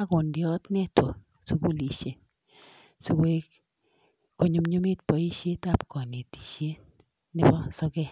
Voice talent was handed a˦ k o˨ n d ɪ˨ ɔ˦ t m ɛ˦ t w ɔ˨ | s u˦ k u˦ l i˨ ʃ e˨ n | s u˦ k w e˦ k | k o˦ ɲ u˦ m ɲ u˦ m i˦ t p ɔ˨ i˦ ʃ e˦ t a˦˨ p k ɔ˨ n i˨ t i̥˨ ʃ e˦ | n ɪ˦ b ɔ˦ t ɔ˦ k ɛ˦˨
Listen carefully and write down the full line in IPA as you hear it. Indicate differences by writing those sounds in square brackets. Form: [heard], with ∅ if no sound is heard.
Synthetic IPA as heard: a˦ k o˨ n d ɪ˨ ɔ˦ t [n] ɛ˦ t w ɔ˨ | s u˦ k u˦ l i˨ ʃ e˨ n | s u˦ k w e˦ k | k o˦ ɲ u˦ m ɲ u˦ m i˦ t p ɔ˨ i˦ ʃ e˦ t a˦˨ p k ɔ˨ n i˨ t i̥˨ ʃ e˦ | n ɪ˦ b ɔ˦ [s] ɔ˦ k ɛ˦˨